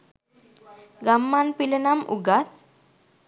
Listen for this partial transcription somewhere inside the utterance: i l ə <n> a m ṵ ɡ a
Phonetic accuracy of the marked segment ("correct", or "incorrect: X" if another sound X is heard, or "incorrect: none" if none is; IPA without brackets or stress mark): correct